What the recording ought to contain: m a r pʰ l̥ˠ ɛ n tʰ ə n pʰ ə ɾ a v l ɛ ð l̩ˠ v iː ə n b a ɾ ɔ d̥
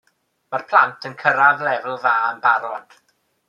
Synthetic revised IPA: m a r pʰ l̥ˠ a n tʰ ə n kʰ ə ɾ a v l ɛ v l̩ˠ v aː ə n b a ɾ ɔ d̥